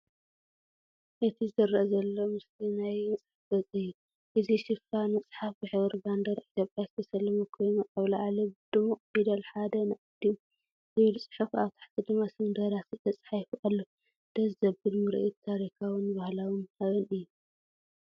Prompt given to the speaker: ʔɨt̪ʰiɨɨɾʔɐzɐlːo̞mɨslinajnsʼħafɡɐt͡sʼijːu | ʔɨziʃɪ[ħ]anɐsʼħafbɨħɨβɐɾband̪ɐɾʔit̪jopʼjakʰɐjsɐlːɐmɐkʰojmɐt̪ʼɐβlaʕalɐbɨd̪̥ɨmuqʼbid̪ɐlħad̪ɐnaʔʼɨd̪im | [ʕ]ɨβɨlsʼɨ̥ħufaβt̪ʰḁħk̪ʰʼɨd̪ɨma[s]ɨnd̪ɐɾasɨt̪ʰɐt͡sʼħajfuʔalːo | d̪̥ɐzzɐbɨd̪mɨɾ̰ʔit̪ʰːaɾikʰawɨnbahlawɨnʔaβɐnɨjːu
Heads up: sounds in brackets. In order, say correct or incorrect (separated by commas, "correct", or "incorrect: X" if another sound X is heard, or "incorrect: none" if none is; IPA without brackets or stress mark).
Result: incorrect: f, incorrect: z, correct